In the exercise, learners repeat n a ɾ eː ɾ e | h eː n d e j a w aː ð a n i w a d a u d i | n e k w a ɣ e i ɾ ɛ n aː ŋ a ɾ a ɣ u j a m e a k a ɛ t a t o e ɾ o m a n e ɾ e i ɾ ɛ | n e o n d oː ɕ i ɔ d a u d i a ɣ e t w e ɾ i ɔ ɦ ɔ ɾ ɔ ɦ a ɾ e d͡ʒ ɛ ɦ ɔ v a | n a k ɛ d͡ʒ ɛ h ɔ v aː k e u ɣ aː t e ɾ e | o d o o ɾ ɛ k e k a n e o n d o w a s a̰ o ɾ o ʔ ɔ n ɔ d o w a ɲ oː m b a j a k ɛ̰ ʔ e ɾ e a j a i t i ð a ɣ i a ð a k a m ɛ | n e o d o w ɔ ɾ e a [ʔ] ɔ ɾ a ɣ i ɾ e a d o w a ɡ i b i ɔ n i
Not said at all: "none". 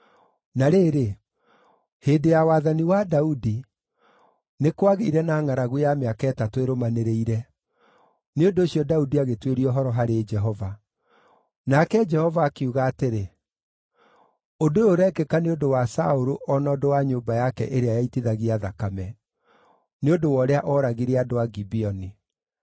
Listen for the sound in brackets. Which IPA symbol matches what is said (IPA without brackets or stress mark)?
ʔ